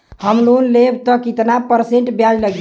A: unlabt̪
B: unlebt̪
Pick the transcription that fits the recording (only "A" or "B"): B